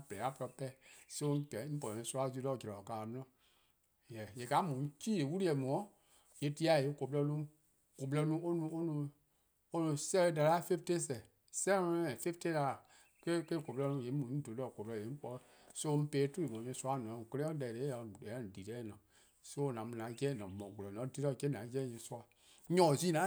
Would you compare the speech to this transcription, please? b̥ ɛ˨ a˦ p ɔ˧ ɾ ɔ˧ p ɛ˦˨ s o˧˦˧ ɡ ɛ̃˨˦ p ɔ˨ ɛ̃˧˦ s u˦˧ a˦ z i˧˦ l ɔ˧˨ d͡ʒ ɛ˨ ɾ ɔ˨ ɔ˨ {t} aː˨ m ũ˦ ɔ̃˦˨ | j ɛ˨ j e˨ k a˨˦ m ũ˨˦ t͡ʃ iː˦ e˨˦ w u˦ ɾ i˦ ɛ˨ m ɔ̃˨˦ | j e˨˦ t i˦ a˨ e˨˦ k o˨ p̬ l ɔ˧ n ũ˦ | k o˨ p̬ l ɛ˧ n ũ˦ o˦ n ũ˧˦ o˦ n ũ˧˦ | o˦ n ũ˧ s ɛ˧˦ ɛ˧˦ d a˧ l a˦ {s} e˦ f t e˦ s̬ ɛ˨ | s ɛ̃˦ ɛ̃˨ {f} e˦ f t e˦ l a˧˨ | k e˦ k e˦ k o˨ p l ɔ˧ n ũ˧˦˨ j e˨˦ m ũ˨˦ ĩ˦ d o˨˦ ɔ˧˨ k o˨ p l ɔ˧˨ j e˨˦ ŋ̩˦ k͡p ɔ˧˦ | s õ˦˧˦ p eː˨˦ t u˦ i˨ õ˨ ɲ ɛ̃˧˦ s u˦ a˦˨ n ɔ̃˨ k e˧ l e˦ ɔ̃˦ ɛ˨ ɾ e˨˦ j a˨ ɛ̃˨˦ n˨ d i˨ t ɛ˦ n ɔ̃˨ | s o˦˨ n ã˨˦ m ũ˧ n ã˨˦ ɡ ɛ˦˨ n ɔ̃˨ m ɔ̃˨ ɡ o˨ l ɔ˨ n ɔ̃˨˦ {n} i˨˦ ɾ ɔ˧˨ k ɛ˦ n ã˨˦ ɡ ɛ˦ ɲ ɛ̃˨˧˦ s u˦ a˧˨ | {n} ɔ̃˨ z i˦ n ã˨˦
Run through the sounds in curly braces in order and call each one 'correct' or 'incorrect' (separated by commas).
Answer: incorrect, incorrect, correct, incorrect, incorrect